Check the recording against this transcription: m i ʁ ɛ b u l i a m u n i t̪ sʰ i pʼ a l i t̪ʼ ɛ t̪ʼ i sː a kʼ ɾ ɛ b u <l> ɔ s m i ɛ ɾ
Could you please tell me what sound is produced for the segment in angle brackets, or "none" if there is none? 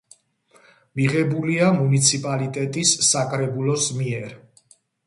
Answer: l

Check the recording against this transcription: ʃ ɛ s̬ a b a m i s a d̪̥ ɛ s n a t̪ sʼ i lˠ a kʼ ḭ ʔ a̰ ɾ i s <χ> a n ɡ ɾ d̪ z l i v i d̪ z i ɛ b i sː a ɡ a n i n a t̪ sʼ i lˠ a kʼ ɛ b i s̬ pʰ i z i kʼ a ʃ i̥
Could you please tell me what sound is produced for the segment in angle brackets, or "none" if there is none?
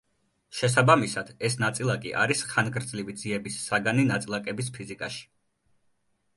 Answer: χ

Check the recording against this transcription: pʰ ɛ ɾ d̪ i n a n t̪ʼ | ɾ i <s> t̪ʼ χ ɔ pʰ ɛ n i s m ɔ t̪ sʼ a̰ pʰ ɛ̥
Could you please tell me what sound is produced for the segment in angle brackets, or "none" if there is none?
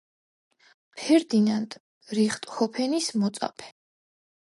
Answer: χ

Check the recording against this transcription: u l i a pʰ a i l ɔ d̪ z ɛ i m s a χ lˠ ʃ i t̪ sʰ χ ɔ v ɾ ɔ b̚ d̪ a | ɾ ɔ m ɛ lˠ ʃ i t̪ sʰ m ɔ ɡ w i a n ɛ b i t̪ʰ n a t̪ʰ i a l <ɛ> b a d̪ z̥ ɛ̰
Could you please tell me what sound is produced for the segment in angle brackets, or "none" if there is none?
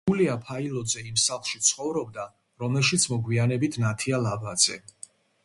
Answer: a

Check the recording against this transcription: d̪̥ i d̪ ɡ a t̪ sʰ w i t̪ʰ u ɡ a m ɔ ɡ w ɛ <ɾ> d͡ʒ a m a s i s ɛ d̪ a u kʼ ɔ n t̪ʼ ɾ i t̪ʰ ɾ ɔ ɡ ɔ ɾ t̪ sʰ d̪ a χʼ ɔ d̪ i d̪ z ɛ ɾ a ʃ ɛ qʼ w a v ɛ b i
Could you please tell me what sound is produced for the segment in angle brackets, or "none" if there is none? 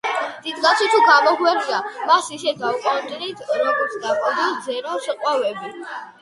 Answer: ɾ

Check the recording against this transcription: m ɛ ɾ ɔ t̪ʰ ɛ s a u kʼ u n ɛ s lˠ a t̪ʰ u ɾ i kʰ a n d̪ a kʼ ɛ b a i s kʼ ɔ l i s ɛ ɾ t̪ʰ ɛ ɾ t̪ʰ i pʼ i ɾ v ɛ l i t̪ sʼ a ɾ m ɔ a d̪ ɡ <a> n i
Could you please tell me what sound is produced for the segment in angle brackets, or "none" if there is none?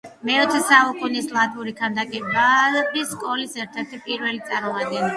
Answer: ɛ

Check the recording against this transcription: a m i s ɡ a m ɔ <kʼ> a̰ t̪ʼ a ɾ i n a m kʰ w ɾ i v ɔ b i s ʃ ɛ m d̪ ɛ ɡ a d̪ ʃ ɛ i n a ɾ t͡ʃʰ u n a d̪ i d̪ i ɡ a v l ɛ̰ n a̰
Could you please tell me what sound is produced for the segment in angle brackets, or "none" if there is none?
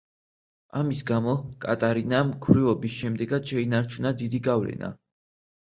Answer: kʼ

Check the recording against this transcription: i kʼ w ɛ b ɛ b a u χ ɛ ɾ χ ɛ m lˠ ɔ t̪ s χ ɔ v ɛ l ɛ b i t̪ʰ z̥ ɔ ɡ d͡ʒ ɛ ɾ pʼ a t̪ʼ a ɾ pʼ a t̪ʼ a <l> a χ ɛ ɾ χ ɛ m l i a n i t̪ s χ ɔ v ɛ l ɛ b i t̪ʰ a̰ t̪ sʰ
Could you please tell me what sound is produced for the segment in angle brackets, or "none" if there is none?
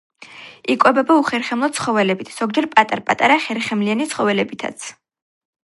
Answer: ɾ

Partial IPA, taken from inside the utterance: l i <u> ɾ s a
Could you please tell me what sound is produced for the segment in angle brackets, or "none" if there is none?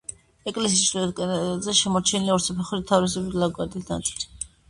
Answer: ɔ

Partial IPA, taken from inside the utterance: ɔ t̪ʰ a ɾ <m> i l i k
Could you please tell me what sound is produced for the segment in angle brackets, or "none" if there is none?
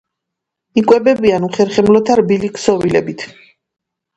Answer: b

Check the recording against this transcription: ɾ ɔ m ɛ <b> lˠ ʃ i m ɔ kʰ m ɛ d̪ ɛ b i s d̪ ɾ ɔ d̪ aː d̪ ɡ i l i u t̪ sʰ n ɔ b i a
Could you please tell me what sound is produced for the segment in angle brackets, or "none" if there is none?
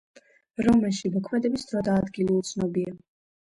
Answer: none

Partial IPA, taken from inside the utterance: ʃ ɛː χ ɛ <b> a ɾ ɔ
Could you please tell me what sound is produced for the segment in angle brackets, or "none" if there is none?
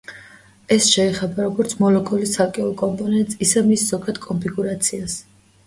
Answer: b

